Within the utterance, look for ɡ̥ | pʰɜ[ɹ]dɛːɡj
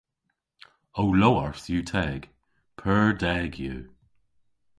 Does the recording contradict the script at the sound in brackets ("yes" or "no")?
no